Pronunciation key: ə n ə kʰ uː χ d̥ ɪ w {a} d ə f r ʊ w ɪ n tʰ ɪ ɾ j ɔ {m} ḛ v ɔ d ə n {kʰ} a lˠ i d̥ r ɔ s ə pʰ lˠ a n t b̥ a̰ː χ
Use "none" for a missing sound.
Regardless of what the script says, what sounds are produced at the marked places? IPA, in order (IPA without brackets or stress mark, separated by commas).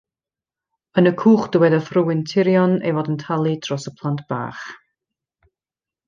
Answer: ɛ, n, tʰ